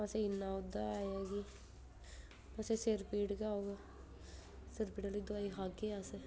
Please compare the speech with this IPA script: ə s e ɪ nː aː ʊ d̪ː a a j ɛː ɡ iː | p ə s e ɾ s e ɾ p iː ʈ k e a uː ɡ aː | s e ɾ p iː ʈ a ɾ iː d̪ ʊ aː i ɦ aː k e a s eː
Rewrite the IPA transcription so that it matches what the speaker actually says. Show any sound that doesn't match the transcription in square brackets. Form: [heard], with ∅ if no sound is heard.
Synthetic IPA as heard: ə s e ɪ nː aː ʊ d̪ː a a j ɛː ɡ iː | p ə s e [∅] s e ɾ p iː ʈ k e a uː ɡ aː | s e ɾ p iː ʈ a [l] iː d̪ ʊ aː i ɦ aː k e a s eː